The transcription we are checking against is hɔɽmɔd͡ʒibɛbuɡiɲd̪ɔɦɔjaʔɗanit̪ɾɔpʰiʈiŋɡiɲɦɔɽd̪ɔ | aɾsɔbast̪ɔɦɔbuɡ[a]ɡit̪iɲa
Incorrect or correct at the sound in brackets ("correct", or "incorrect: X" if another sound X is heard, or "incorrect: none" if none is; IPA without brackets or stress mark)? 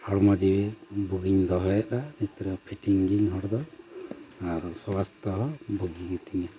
incorrect: i